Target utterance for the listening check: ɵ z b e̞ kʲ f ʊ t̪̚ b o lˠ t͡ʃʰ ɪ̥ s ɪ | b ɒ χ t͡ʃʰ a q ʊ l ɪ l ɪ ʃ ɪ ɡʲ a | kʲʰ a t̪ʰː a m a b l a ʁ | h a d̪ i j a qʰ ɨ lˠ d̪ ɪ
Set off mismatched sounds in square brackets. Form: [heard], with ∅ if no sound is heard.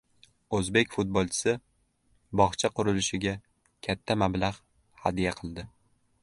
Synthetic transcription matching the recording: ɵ z b e̞ kʲ f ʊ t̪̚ b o lˠ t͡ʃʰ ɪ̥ s ɪ | b ɒ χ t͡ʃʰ a q ʊ [ɾ] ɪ l ɪ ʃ ɪ ɡʲ a | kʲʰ a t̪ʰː a m a b l a ʁ | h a d̪ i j a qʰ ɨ lˠ d̪ ɪ